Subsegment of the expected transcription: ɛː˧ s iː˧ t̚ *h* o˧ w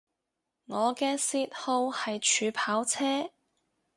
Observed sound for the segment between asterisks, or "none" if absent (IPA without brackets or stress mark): h